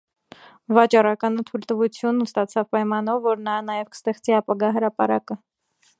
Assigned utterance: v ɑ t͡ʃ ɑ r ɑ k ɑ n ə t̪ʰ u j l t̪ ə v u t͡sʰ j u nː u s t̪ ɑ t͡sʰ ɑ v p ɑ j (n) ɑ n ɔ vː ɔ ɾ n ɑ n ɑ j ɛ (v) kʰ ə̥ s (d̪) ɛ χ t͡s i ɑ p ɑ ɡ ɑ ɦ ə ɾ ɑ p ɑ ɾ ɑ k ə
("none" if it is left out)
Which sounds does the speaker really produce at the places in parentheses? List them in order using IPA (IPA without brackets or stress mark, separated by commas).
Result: m, v, t̪